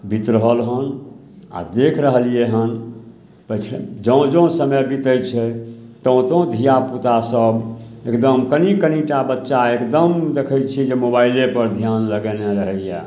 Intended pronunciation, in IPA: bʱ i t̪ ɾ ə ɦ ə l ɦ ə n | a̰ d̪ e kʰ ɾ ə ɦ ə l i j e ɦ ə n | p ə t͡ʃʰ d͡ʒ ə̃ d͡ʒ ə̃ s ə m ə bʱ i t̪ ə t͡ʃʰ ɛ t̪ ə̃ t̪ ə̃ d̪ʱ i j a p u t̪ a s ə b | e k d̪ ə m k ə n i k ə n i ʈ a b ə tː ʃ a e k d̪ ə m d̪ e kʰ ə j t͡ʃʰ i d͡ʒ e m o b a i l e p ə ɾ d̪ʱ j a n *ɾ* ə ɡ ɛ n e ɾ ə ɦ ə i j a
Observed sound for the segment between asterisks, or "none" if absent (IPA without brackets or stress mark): l